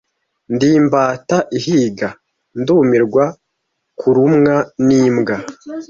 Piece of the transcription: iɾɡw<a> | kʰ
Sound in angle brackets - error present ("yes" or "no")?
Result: no